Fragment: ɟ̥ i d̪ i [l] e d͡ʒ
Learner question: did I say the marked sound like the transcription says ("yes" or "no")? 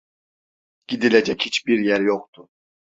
yes